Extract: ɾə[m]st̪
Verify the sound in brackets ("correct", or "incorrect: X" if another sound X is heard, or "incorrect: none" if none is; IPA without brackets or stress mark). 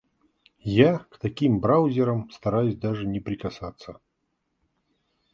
correct